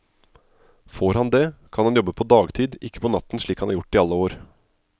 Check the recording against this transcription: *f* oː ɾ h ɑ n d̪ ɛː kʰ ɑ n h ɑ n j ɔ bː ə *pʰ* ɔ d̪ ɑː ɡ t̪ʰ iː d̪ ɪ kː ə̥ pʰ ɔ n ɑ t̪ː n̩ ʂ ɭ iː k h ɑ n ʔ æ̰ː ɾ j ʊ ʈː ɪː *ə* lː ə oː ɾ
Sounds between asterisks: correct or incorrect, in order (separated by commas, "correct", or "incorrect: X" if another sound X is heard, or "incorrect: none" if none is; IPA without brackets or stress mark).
correct, correct, incorrect: ɑ